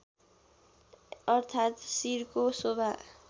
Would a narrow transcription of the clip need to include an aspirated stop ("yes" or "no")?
yes